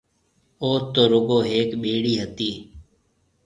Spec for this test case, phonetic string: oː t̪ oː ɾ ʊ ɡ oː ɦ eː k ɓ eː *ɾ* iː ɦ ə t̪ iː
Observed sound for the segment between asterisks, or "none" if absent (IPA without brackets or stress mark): ɽ